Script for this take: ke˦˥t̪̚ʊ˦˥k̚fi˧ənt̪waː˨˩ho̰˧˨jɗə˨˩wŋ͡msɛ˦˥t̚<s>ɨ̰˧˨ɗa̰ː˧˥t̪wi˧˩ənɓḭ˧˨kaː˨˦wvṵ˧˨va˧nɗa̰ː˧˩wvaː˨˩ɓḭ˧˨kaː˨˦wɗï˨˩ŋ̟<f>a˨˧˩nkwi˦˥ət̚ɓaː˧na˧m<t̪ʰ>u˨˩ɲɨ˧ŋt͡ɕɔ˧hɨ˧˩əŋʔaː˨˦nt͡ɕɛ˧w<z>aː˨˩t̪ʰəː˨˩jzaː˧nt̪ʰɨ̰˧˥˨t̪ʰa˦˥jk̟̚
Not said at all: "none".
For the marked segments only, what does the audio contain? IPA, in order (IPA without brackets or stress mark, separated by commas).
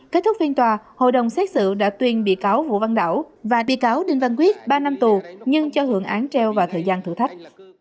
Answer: s, v, t̪, v